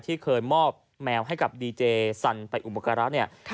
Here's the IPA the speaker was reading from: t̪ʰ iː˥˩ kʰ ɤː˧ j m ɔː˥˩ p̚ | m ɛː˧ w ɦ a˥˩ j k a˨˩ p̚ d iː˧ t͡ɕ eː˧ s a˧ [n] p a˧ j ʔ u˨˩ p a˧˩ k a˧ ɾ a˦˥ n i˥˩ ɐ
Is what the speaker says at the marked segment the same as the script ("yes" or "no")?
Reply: yes